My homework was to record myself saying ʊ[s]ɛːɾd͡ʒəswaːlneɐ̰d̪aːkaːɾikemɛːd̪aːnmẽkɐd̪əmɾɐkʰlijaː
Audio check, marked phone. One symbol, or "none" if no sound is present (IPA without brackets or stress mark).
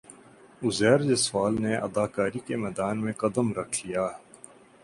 z